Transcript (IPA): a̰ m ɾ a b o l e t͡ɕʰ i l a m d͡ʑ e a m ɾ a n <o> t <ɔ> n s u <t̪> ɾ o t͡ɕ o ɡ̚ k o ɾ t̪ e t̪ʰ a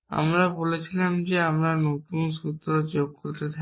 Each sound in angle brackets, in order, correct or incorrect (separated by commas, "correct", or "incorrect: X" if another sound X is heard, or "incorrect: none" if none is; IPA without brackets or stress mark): correct, incorrect: u, correct